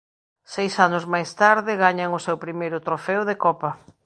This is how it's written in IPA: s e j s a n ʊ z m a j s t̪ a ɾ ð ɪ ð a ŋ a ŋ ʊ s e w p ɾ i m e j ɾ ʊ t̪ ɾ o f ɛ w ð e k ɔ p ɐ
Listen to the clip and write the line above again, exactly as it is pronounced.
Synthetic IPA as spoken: s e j s a n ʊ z m a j s t̪ a ɾ ð ɪ ɣ a ɲ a ŋ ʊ s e w p ɾ i m e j ɾ ʊ t̪ ɾ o f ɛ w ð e k ɔ p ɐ